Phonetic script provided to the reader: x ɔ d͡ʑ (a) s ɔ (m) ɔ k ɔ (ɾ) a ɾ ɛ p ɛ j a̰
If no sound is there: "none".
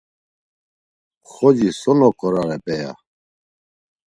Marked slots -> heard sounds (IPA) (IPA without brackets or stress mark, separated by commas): i, n, ɾ